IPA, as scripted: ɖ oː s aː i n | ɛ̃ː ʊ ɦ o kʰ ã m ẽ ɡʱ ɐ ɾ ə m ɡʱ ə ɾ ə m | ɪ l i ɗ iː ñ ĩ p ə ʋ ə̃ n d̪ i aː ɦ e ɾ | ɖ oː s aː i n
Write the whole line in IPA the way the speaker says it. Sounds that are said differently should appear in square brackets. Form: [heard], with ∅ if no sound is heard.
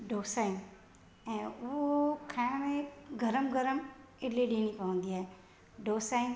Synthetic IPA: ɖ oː s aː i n | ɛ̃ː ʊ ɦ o kʰ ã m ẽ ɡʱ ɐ ɾ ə m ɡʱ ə ɾ ə m | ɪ l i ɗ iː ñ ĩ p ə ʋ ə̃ n d̪ i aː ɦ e [∅] | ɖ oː s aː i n